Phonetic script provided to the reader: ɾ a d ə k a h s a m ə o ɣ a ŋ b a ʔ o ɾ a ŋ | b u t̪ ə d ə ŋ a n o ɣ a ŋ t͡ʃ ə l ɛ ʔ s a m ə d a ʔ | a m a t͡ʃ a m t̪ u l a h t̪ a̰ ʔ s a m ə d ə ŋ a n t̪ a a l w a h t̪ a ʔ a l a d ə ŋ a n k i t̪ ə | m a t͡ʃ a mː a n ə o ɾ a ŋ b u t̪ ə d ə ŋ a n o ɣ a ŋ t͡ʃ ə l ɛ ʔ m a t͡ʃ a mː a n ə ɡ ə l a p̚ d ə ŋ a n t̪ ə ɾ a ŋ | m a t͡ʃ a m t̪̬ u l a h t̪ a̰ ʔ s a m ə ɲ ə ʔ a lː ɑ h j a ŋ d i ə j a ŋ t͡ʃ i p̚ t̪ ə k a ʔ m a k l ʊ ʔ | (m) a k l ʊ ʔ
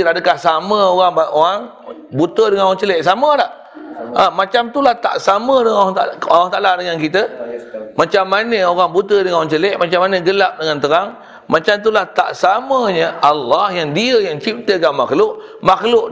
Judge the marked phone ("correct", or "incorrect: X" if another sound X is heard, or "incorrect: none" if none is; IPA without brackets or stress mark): correct